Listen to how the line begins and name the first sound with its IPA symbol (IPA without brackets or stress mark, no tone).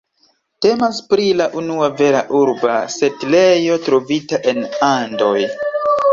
t